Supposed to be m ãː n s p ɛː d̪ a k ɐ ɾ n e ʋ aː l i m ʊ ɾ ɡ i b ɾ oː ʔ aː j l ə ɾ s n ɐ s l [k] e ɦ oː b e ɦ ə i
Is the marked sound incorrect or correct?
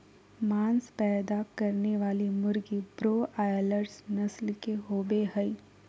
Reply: correct